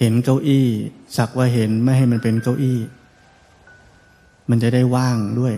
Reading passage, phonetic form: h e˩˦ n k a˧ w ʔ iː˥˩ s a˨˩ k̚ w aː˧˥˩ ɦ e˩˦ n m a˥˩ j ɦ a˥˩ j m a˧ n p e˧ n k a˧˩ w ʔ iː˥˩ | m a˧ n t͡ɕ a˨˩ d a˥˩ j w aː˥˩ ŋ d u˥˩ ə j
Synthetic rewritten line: h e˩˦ n k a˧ w ʔ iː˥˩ s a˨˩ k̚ w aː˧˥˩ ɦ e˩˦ n m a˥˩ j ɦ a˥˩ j m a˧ n p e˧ n k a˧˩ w ʔ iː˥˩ | m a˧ n t͡ɕ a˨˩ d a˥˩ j w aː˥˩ ŋ d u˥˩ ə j